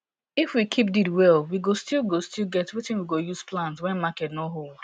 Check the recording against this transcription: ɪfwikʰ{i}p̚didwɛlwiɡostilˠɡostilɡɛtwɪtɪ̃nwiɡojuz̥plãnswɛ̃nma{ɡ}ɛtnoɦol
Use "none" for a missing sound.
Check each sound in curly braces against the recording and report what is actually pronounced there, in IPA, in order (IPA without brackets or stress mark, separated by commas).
i, k